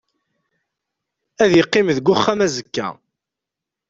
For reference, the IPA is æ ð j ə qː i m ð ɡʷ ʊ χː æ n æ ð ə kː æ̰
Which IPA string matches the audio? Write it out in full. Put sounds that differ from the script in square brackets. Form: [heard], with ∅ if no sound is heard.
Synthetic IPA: æ ð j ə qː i m ð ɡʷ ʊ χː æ [m] æ [z] ə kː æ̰